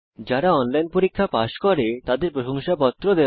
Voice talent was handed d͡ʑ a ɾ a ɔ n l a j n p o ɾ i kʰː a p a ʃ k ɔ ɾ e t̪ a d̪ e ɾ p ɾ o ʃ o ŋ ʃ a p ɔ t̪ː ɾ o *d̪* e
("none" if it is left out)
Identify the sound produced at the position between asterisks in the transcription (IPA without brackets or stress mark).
d̪